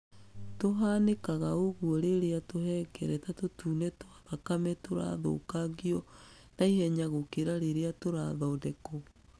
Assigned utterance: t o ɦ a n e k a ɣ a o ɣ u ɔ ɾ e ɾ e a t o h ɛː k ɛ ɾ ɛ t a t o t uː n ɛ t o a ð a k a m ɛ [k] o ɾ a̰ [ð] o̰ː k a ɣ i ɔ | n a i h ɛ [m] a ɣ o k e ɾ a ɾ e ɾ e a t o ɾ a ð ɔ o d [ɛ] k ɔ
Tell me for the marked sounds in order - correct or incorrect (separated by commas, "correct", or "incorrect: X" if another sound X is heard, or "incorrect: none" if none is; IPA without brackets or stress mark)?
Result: incorrect: t, correct, incorrect: ɲ, correct